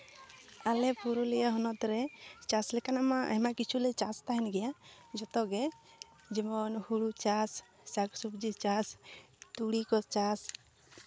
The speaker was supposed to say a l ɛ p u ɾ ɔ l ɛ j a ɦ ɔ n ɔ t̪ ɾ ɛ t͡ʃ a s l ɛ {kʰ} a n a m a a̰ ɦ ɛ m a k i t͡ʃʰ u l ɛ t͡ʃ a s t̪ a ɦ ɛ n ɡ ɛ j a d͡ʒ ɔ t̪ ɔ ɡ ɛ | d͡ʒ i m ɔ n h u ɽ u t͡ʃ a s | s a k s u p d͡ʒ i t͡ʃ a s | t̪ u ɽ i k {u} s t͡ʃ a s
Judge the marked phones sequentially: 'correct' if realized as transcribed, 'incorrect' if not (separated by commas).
incorrect, incorrect